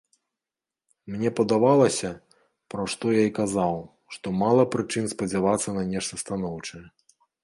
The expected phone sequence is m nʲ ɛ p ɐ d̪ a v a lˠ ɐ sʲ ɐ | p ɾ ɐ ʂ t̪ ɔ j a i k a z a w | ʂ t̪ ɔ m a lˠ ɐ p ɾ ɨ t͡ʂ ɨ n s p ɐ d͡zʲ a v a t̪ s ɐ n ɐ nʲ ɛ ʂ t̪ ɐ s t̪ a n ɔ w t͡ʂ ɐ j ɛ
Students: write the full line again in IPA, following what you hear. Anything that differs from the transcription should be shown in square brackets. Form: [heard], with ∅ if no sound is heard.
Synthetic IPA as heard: m nʲ ɛ p ɐ d̪ a v a lˠ ɐ sʲ ɐ | p ɾ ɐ ʂ t̪ ɔ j a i k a z a w | ʂ t̪ ɔ m a lˠ ɐ p ɾ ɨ t͡ʂ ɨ n s p ɐ d͡zʲ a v a t̪ [sː] ɐ n ɐ nʲ ɛ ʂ t̪ ɐ s t̪ a n ɔ w t͡ʂ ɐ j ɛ